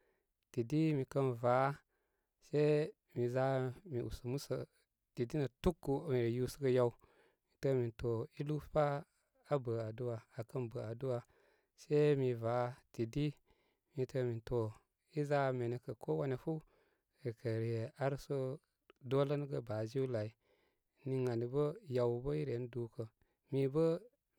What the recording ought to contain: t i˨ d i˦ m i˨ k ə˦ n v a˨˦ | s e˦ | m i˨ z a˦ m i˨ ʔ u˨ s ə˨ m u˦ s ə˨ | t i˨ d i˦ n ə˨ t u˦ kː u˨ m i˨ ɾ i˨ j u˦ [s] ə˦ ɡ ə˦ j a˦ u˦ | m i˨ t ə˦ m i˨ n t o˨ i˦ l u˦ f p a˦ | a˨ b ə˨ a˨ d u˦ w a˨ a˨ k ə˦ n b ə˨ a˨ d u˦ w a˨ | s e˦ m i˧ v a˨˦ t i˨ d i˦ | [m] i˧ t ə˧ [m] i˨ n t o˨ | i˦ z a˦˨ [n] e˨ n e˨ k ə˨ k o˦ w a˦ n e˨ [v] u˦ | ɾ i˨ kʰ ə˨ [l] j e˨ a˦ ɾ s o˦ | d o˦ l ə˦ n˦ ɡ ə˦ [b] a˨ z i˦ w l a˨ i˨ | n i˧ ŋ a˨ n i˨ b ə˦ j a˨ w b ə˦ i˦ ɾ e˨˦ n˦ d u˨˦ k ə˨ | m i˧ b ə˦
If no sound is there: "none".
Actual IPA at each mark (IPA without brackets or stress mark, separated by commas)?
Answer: s, m, m, m, f, ɾ, b